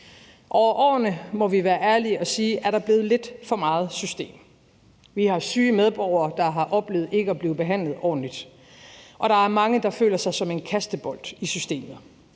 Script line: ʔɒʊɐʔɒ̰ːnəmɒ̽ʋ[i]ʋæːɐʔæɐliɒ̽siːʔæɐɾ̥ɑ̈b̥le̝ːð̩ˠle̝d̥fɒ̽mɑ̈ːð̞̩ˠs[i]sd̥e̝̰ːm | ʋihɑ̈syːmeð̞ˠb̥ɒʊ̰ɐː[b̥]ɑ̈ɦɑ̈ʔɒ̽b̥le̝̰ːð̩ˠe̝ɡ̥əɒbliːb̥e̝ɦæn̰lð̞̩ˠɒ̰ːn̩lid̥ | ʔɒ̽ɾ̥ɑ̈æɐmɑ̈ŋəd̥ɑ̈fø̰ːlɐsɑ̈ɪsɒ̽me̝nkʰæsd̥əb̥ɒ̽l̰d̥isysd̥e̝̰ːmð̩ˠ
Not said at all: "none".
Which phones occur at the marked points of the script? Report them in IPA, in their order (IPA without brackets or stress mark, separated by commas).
i, y, d̥